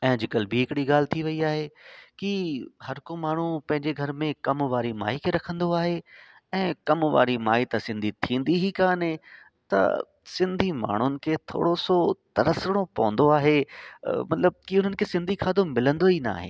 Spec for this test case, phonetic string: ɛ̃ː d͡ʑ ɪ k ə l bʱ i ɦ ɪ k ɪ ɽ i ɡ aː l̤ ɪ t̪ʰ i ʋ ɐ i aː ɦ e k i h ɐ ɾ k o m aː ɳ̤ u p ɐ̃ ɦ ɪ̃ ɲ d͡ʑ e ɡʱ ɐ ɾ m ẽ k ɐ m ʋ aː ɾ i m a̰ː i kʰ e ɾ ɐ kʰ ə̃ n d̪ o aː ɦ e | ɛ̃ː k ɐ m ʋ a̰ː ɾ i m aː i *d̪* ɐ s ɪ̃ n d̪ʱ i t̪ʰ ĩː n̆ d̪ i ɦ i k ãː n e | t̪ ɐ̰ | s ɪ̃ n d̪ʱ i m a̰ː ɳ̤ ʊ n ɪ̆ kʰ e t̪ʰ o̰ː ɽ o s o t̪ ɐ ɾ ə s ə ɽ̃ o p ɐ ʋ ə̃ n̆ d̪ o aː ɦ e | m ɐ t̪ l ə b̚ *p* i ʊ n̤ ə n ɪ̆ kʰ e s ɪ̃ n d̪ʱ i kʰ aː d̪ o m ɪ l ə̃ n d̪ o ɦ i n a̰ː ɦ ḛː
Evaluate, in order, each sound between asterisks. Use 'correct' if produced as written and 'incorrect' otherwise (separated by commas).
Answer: incorrect, incorrect